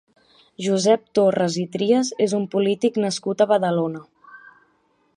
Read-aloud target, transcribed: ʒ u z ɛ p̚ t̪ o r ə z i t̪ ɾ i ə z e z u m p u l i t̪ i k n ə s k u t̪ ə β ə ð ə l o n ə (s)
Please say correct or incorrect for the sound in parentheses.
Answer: incorrect